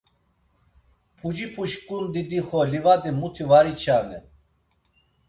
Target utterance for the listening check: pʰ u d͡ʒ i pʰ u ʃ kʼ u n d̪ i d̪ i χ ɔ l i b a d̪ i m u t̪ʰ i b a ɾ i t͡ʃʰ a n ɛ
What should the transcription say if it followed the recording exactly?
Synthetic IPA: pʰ u d͡ʒ i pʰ u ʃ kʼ u n d̪ i d̪ i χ ɔ l i v a d̪ i m u t̪ʰ i v a ɾ i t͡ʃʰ a n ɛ